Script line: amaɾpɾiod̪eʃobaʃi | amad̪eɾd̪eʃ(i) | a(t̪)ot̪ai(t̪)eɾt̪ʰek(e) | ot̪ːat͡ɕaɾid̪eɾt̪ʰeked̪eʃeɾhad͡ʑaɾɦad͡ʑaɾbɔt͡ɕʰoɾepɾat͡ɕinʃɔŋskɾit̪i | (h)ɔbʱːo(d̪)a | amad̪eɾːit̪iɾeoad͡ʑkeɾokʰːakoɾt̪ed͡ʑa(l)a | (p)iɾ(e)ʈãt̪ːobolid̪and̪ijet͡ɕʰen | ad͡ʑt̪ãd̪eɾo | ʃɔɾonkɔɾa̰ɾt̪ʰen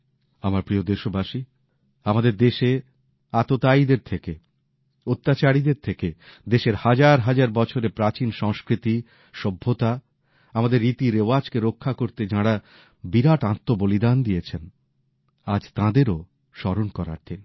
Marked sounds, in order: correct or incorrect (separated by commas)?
incorrect, correct, incorrect, correct, incorrect, incorrect, incorrect, incorrect, incorrect